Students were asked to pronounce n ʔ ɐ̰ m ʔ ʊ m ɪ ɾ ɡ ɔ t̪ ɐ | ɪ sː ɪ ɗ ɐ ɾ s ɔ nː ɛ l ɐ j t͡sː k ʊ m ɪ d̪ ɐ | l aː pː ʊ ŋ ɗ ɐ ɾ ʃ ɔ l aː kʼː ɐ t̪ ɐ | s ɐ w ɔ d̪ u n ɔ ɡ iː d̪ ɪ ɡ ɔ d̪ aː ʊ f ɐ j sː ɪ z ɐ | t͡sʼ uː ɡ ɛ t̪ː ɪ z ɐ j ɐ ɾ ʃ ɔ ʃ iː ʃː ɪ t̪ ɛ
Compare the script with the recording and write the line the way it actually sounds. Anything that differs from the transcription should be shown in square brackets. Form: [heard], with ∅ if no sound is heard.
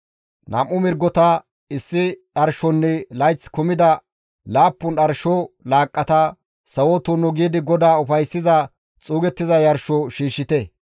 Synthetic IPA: n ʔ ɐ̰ m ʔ ʊ m ɪ ɾ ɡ ɔ t̪ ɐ | ɪ sː ɪ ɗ ɐ ɾ [ʃ] ɔ nː ɛ l ɐ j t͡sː k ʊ m ɪ d̪ ɐ | l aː pː ʊ [n] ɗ ɐ ɾ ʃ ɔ l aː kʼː ɐ t̪ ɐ | s ɐ w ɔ [t̪] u n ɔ ɡ iː d̪ ɪ ɡ ɔ d̪ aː ʊ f ɐ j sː ɪ z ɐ | t͡sʼ uː ɡ ɛ t̪ː ɪ z ɐ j ɐ ɾ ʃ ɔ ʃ iː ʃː ɪ t̪ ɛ